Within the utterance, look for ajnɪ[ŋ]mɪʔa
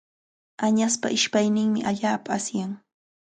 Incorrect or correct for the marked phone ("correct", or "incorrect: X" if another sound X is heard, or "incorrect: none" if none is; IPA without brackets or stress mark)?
correct